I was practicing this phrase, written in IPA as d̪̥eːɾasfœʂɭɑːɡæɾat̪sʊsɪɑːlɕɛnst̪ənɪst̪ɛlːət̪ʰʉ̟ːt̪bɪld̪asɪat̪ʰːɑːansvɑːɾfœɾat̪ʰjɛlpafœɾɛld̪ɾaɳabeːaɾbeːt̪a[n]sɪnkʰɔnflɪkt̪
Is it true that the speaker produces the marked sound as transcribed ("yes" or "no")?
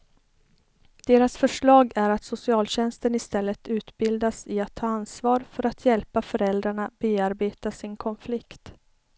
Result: no